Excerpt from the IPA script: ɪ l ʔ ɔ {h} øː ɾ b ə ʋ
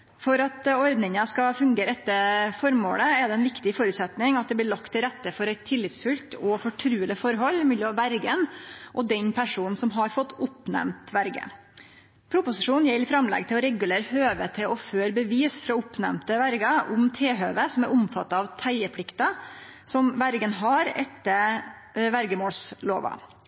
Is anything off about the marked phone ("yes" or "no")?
yes